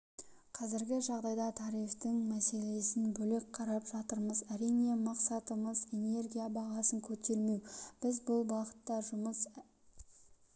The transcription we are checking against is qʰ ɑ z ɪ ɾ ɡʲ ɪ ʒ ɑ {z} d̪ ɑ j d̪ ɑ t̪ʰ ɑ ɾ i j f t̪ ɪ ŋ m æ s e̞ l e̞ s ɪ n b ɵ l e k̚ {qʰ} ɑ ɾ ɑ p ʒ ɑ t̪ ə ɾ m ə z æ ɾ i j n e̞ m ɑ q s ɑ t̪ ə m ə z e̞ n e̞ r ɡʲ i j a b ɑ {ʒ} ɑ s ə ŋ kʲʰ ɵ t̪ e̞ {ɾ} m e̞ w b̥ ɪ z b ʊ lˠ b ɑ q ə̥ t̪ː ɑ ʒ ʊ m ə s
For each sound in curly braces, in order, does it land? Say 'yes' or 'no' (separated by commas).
no, yes, no, yes